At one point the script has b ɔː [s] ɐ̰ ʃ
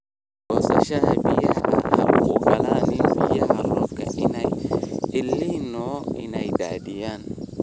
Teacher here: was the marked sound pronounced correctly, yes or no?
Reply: yes